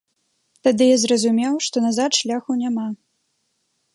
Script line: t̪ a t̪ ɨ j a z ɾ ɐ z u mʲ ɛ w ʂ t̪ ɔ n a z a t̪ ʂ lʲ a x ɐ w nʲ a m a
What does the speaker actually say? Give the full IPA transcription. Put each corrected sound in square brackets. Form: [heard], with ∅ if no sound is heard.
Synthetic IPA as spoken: t̪ a [d̪] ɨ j a z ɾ ɐ z u mʲ ɛ w ʂ t̪ ɔ n a z a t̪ ʂ lʲ a x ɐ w nʲ a m a